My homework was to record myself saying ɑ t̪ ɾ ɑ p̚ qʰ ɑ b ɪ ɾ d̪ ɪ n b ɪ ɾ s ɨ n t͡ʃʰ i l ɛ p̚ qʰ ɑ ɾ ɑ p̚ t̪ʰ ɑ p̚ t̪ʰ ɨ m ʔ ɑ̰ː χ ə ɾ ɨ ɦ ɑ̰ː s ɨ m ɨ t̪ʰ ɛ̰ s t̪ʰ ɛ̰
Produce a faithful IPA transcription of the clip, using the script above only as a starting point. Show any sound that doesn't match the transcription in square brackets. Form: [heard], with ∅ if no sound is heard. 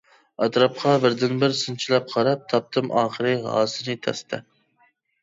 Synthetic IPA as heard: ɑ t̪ ɾ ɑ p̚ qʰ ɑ b ɪ ɾ d̪ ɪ n b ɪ ɾ s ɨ n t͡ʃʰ i l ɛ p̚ qʰ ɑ ɾ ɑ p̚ t̪ʰ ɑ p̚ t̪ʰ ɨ m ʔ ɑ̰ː χ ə ɾ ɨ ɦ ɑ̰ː s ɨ [n] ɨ t̪ʰ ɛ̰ s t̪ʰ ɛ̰